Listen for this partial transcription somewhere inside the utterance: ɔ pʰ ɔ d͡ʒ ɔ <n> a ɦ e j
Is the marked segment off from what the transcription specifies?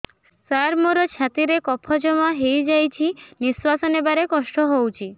yes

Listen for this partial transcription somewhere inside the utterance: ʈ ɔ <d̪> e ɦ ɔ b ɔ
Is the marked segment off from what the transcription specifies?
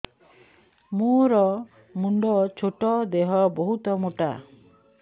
no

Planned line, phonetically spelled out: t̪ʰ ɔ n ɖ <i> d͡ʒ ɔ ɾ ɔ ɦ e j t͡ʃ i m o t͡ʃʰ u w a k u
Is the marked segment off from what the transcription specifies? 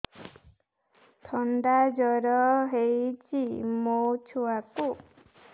yes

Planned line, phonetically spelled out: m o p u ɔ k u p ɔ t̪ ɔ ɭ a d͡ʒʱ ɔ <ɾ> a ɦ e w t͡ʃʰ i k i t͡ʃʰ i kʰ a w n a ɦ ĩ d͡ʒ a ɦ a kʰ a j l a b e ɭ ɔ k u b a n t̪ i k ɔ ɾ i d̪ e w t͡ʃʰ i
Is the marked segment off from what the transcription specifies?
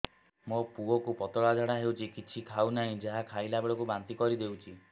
yes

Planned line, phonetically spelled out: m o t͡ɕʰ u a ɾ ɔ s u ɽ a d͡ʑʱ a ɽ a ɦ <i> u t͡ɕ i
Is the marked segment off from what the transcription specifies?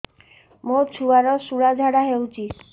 yes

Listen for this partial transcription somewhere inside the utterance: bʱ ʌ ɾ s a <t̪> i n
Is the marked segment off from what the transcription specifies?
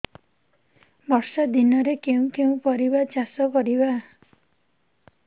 yes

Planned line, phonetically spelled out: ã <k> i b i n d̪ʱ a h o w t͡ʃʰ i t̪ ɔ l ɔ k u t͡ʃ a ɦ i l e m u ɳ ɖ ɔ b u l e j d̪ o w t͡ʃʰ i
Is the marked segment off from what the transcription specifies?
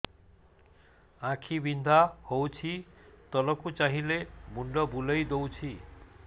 yes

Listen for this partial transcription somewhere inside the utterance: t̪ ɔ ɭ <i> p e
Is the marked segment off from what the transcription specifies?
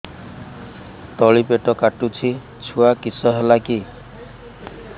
no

